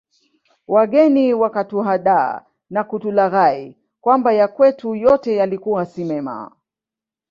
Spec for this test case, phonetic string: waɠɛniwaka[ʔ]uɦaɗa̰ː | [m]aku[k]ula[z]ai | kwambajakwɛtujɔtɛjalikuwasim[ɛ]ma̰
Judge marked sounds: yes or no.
no, no, no, no, yes

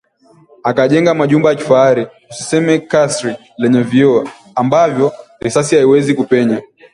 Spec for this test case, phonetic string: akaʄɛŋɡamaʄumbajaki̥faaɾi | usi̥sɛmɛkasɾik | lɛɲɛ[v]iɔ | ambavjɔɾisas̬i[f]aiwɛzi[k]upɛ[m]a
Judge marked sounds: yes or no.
yes, no, yes, no

